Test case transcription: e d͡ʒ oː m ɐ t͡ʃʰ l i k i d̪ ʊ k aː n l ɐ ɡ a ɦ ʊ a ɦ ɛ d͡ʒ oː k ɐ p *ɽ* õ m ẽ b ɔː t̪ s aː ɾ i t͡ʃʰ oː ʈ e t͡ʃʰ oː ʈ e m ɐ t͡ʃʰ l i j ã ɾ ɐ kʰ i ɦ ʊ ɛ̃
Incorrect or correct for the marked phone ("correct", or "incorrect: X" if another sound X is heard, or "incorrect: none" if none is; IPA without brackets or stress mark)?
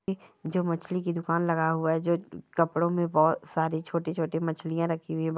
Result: correct